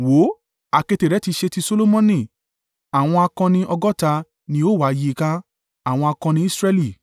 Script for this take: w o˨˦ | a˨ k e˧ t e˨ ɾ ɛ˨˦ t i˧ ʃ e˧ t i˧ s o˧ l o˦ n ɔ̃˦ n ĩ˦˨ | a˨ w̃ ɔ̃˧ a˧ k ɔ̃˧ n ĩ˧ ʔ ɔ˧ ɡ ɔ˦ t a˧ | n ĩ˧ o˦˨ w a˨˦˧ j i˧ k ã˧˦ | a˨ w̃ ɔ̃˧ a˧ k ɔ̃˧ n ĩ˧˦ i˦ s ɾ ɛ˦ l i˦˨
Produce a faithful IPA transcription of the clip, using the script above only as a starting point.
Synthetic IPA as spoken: w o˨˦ | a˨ k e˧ t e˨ ɾ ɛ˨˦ t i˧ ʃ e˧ t i˧ s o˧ l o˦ m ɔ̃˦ n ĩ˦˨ | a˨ w̃ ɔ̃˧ a˧ k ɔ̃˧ n ĩ˧ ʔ ɔ˧ ɡ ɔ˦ t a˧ | n ĩ˧ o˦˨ w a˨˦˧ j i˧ k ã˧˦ | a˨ w̃ ɔ̃˧ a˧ k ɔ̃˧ n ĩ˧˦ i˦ s ɾ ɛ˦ l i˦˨